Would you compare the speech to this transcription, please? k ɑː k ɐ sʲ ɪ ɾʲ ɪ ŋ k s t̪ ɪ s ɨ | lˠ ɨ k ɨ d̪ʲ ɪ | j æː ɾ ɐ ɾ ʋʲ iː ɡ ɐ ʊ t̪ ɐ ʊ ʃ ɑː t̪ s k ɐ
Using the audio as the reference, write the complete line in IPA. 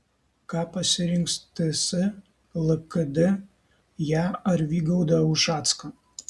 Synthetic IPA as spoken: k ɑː p ɐ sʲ ɪ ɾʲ ɪ ŋ k s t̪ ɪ s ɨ | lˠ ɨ k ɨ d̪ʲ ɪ | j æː ɐ ɾ ʋʲ iː ɡ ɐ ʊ d̪ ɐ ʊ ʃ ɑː t̪ s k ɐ